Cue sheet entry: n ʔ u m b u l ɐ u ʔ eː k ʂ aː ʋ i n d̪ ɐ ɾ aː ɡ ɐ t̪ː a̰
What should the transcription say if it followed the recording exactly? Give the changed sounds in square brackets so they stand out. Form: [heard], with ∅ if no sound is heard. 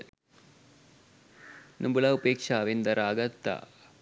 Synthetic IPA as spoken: n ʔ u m b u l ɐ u [p] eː k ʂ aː ʋ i n d̪ ɐ ɾ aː ɡ ɐ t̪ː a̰